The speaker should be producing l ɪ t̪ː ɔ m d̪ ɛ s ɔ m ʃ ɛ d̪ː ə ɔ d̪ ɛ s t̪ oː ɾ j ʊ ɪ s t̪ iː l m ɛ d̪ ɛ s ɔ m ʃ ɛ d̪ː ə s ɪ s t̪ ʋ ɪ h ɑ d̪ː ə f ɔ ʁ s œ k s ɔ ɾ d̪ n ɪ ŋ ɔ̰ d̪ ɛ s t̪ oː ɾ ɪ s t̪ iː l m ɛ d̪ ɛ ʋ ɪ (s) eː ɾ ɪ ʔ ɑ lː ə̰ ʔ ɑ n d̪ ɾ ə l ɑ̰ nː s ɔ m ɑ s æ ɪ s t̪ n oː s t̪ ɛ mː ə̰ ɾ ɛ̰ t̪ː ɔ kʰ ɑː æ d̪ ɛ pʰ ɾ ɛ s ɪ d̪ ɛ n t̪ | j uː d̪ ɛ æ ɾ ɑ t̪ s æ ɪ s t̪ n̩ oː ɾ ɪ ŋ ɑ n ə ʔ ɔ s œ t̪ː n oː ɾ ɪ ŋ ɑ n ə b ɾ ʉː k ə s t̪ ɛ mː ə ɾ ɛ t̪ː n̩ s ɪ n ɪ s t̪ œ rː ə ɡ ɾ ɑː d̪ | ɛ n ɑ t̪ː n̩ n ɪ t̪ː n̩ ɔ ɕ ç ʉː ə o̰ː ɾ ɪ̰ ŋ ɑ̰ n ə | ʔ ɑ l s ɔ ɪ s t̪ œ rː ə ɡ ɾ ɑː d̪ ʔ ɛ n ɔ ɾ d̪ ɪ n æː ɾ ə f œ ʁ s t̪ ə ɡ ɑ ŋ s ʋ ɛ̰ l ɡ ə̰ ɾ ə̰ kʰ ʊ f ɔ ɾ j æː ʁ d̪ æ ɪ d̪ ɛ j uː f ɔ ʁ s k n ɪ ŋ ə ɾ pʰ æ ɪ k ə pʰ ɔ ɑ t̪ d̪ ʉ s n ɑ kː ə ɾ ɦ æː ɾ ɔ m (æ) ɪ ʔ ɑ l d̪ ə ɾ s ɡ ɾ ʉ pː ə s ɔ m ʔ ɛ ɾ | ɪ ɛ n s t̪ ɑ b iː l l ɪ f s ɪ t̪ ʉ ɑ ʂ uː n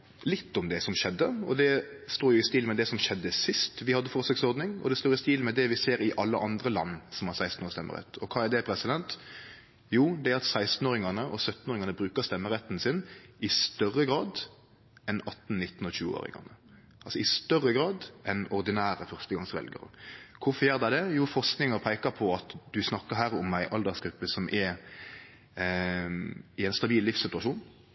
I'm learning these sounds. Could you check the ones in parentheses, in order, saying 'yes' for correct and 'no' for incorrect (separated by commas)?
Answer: yes, yes